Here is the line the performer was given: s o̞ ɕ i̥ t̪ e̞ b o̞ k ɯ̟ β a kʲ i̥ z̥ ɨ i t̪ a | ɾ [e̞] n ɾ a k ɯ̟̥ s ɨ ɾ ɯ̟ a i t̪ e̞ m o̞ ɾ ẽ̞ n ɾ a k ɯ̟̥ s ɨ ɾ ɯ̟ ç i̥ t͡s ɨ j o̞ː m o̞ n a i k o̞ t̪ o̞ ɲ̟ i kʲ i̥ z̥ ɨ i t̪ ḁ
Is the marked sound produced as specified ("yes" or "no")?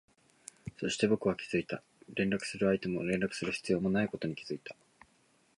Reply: no